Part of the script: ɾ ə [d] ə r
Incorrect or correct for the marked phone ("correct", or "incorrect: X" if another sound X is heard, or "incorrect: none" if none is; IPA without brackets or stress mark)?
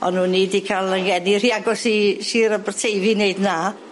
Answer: incorrect: b